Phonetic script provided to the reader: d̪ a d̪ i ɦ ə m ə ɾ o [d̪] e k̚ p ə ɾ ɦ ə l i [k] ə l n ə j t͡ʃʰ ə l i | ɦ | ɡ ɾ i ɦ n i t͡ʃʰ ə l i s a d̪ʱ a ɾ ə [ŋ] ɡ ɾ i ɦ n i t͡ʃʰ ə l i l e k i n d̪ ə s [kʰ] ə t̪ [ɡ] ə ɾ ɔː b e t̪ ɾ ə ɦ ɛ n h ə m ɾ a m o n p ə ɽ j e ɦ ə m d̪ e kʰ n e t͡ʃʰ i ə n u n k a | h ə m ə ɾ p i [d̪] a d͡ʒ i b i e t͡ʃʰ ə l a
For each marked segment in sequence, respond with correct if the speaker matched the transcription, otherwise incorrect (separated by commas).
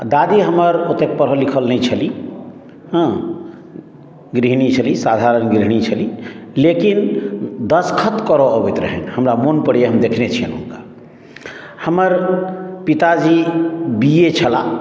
incorrect, incorrect, incorrect, correct, incorrect, incorrect